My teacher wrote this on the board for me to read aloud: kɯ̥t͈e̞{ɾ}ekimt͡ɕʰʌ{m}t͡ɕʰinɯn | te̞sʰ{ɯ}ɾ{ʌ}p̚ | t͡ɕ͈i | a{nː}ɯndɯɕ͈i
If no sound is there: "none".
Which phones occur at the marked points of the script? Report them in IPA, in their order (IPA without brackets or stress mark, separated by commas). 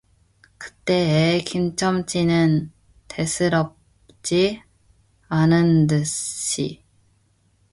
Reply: none, m, ɯ, ʌ, n